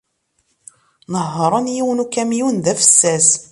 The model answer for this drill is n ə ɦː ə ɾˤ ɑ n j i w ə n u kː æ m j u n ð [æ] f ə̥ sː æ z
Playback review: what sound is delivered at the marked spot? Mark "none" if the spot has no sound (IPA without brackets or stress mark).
æ